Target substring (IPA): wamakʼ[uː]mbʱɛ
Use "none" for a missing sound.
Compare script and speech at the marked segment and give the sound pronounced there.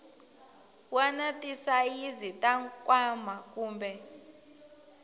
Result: uː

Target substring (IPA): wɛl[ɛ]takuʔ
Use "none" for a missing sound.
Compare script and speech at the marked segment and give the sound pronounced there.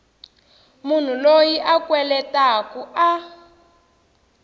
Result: ɛ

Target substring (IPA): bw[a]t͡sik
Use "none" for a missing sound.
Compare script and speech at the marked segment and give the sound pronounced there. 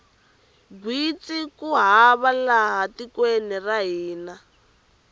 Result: i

